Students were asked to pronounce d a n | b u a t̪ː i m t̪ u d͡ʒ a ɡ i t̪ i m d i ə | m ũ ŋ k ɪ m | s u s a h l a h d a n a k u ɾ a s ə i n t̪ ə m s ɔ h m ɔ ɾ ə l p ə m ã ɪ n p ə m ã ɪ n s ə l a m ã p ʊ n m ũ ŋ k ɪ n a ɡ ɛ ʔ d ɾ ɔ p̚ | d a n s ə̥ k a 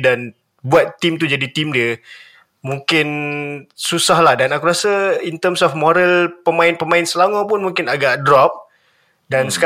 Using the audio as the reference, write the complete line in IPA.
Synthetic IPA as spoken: d a n | b u a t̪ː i m t̪ u d͡ʒ a d i t̪ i m d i ə | m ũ ŋ k ɪ n | s u s a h l a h d a n a k u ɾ a s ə i n t̪ ə m s ɔ f m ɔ ɾ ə l p ə m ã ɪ n p ə m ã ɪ n s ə l a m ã p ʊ n m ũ ŋ k ɪ n a ɡ a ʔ d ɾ ɔ p̚ | d a n s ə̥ k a